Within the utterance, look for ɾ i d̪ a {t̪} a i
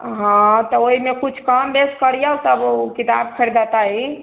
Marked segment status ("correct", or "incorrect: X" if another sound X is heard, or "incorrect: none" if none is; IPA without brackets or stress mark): correct